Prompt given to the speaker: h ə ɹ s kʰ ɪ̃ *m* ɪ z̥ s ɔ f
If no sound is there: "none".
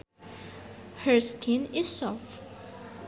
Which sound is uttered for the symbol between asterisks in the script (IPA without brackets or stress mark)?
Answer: n